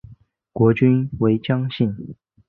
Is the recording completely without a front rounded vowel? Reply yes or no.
no